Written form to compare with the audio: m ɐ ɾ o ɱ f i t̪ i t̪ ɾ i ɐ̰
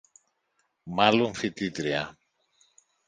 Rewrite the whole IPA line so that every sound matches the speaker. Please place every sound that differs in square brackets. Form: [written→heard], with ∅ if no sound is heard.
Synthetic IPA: m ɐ [ɾ→l] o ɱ f i t̪ i t̪ ɾ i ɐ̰